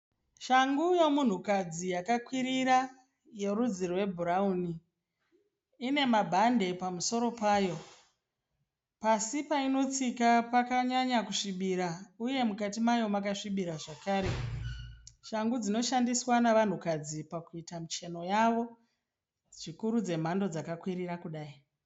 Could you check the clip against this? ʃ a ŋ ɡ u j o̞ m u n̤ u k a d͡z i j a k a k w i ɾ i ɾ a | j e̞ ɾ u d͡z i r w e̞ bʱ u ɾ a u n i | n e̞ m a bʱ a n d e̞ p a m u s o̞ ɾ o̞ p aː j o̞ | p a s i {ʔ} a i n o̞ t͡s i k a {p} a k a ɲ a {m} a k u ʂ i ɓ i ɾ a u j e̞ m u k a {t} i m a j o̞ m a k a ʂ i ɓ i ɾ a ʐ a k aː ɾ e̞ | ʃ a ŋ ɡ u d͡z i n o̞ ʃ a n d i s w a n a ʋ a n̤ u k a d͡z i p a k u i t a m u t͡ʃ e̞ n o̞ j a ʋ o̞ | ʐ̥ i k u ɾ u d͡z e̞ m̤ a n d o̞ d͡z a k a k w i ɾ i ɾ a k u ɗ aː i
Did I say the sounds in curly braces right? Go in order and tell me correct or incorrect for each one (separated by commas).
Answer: incorrect, correct, incorrect, correct